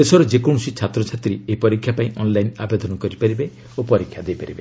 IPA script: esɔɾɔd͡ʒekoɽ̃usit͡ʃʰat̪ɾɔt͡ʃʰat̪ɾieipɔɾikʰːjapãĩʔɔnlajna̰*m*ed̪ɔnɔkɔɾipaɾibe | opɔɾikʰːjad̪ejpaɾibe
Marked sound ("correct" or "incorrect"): incorrect